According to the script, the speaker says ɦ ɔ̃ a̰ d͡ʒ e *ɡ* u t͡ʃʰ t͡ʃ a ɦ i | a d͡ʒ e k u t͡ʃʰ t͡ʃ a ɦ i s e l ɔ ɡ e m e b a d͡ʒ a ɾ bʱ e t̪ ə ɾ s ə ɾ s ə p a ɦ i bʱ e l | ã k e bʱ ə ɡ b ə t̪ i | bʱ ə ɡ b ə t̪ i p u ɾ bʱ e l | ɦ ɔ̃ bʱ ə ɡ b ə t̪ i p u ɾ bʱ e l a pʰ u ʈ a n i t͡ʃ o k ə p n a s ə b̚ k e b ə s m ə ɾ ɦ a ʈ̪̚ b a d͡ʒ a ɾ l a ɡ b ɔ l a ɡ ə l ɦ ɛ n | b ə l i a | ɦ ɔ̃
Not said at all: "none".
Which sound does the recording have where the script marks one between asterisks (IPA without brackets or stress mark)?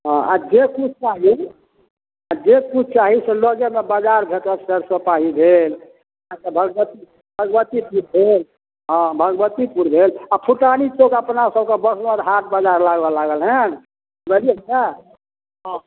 k